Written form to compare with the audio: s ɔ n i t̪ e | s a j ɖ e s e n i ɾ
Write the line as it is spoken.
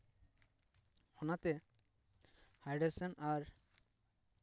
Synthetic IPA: h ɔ n a t̪ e | h a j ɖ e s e n a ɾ